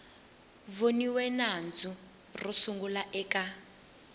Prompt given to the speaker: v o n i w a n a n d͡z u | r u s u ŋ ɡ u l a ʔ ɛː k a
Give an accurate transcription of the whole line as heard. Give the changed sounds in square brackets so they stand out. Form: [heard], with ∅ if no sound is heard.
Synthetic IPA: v o n i w [ɛ] n a n d͡z u | r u s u ŋ ɡ u l a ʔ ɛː k a